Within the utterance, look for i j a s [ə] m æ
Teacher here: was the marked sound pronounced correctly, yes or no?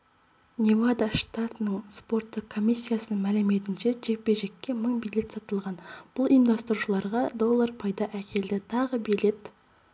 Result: yes